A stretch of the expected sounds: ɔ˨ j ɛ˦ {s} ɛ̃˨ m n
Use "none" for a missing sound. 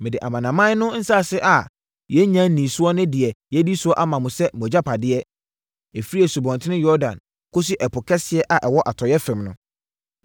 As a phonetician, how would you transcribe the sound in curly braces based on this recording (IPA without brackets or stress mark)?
f